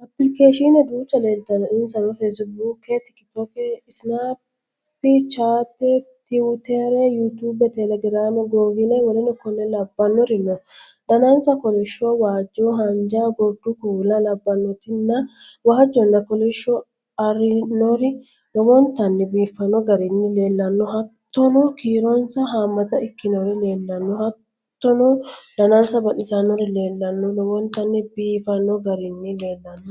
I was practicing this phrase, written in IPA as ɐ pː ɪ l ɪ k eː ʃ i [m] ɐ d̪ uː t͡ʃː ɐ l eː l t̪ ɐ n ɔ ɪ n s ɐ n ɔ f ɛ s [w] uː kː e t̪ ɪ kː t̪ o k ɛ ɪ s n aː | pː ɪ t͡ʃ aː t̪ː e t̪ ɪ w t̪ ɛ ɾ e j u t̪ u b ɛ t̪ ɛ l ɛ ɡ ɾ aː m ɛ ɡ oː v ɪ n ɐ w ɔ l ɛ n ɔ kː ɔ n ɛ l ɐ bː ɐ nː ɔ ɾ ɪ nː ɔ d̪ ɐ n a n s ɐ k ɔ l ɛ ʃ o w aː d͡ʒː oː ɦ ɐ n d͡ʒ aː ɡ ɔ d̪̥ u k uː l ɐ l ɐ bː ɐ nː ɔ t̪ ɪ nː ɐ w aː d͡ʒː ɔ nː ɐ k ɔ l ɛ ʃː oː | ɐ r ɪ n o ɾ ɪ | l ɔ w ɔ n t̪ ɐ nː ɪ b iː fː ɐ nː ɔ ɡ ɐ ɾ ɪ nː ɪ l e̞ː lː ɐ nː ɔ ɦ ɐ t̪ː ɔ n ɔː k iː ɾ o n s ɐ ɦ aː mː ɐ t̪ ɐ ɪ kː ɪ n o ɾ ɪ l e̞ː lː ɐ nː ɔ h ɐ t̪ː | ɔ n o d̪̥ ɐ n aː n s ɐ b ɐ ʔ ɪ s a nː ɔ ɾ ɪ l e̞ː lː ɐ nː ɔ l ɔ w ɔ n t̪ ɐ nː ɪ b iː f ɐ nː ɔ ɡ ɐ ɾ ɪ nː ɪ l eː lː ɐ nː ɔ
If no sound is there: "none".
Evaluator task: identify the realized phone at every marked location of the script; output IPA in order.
n, b

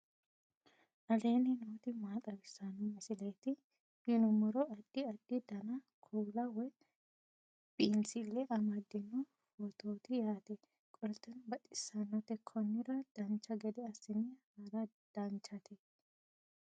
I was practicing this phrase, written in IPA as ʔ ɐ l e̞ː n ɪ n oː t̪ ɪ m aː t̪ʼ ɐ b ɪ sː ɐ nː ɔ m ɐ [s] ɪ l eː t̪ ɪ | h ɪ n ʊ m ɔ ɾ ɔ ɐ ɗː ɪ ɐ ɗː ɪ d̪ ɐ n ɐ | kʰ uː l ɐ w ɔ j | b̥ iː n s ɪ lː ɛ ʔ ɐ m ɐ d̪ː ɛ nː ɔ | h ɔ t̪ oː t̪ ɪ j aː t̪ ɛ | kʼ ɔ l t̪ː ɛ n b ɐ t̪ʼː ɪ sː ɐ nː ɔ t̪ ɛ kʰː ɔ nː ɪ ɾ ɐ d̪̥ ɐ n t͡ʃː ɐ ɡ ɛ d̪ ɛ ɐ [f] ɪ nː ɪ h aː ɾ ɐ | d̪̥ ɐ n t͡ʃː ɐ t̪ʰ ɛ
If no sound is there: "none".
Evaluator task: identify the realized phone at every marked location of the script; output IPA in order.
s, s

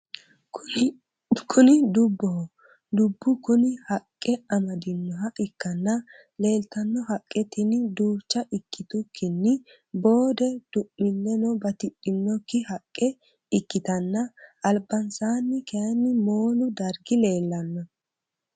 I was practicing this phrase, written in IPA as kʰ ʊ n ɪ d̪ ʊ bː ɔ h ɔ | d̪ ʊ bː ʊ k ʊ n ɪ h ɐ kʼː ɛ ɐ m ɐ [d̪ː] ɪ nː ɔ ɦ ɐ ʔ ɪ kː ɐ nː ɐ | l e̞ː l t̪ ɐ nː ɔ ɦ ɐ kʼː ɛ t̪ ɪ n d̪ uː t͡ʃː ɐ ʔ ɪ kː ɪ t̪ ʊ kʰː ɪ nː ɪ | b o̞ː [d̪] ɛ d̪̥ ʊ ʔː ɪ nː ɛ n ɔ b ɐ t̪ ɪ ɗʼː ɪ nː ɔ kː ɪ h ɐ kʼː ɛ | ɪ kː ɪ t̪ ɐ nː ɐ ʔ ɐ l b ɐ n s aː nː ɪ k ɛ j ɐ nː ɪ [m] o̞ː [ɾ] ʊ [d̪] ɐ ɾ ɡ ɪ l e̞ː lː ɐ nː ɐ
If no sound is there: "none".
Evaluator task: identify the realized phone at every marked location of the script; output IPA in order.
d̪, d̪, m, l, d̪

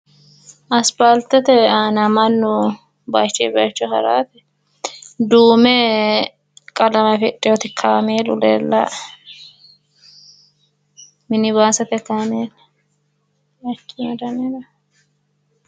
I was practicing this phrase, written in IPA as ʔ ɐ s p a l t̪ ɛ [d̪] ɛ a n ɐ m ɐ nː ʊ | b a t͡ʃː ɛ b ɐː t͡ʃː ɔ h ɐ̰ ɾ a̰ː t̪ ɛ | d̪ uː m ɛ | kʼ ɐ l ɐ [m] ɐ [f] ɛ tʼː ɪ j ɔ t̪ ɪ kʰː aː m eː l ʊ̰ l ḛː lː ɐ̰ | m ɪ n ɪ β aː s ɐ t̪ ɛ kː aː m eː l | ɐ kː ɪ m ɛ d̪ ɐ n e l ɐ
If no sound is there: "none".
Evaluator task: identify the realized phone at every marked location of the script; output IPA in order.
t̪, m, f

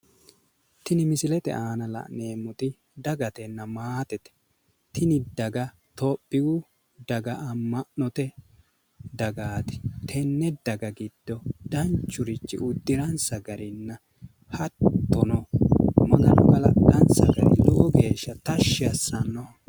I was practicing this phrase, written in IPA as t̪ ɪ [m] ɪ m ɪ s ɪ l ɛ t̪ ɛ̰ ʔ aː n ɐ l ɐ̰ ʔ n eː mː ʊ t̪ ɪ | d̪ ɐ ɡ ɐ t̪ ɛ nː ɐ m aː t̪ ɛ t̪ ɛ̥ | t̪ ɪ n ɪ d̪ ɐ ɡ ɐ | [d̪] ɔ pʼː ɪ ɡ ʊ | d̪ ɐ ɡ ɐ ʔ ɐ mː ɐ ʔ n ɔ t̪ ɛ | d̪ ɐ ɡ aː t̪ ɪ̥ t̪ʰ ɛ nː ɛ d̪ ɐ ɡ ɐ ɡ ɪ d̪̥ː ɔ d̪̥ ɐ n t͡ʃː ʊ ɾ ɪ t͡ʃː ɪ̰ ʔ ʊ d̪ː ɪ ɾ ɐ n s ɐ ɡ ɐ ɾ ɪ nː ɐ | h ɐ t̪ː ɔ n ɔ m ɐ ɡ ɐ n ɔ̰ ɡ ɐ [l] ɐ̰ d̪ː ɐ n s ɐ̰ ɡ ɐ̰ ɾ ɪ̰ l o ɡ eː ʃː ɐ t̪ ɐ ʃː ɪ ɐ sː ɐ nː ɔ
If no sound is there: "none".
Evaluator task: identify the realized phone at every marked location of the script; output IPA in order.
n, t̪, l

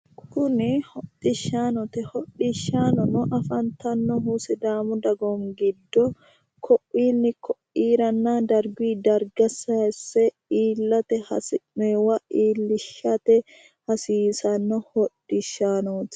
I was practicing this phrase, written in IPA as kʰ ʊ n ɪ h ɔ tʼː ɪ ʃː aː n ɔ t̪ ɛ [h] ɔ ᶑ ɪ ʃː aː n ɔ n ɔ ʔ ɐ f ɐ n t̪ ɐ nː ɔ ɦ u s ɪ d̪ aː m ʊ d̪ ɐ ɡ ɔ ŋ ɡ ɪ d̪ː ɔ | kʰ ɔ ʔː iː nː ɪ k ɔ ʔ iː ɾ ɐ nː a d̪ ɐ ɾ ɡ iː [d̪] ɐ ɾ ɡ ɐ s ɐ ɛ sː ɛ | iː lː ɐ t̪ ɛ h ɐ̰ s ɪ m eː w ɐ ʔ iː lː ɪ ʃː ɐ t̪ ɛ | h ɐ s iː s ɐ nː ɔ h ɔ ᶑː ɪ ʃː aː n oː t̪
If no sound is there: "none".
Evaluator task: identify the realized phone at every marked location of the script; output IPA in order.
h, d̪

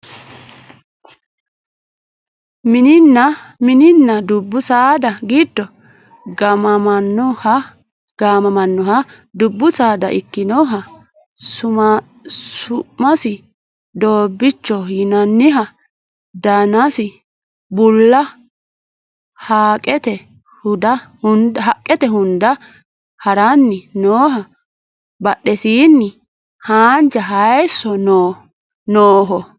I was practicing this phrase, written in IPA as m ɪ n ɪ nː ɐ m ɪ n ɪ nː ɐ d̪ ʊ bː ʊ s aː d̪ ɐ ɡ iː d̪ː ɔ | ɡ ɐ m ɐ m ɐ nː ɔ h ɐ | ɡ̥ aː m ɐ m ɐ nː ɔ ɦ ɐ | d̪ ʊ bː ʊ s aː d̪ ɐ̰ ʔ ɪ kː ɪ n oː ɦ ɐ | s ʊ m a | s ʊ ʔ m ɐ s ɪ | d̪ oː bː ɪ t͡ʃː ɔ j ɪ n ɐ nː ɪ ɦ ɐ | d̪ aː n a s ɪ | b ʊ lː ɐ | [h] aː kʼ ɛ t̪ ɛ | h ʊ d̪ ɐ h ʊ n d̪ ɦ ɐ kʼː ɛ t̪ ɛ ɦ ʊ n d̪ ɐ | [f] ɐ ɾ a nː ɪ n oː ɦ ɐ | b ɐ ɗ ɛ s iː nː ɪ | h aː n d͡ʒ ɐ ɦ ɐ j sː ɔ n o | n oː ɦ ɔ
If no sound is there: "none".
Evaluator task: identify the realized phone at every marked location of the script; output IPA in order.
h, h

